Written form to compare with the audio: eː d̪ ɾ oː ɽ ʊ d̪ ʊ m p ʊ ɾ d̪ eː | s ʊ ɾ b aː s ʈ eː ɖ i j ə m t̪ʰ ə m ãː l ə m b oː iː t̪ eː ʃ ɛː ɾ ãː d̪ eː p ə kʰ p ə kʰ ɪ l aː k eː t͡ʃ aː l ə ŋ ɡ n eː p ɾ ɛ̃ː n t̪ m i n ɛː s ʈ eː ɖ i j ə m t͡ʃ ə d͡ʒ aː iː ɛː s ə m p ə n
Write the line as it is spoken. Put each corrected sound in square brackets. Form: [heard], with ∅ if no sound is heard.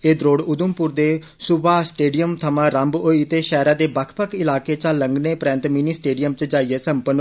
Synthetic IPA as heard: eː d̪ ɾ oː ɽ ʊ d̪ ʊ m p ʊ ɾ d̪ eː | s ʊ [∅] b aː s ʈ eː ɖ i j ə m t̪ʰ ə m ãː [ɾ] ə m b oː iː t̪ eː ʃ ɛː ɾ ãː d̪ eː [b] ə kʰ p ə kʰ ɪ l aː k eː t͡ʃ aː l ə ŋ ɡ n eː p ɾ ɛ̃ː n t̪ m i n [iː] s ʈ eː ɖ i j ə m t͡ʃ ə d͡ʒ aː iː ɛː s ə m p ə n